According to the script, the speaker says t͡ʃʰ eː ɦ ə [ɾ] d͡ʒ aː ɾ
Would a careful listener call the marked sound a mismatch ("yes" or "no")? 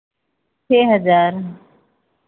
yes